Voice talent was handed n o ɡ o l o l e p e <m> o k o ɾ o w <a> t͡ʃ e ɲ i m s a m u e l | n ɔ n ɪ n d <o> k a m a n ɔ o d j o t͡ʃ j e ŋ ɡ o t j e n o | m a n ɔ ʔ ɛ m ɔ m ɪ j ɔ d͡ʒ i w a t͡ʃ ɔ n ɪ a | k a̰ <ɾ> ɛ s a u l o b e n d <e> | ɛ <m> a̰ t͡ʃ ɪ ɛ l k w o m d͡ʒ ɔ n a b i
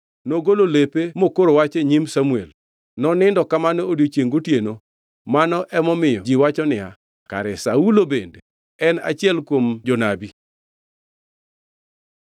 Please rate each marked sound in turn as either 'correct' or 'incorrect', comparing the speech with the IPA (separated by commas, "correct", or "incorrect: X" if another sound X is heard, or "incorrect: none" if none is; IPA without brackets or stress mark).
correct, correct, incorrect: ɔ, correct, correct, incorrect: n